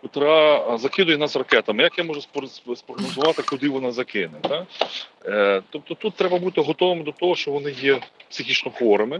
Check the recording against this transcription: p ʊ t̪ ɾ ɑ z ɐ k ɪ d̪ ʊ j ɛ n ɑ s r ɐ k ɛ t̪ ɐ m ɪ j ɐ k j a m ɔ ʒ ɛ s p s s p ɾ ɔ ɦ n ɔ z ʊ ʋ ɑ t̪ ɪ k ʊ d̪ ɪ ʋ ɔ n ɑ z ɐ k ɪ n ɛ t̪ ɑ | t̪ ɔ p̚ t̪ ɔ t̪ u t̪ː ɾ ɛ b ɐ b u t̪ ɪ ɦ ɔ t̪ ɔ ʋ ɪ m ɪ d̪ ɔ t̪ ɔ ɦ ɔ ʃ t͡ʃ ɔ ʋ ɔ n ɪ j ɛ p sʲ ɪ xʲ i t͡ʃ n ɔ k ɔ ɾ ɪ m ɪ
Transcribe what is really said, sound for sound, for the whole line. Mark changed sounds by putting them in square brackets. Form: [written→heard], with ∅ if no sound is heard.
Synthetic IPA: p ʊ t̪ ɾ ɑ z ɐ k ɪ d̪ ʊ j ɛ n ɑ s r ɐ k ɛ t̪ ɐ m ɪ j ɐ k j a m ɔ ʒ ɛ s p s s p ɾ ɔ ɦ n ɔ z ʊ ʋ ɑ t̪ ɪ k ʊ d̪ ɪ ʋ ɔ n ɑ z ɐ k ɪ n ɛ t̪ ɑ | t̪ ɔ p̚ t̪ ɔ t̪ u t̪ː ɾ ɛ b ɐ b u t̪ ɪ ɦ ɔ t̪ ɔ ʋ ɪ m ɪ d̪ ɔ t̪ ɔ ɦ ɔ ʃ t͡ʃ ɔ ʋ ɔ n ɪ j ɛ p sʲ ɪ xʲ i t͡ʃ n ɔ [k→x] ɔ ɾ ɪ m ɪ